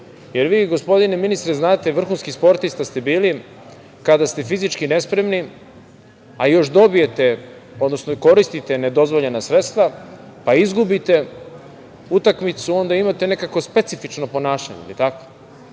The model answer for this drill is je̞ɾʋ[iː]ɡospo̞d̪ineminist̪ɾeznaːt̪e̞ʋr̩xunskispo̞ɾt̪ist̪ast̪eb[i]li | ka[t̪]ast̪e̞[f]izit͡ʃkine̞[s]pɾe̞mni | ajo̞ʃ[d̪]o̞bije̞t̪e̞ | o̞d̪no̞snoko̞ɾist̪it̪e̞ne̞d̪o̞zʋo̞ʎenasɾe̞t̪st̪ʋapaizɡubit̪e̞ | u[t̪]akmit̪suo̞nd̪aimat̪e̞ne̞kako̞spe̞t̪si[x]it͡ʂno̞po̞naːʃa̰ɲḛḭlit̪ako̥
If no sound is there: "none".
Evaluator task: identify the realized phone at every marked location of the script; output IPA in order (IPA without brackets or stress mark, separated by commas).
iː, iː, d̪, f, s, d̪, t̪, f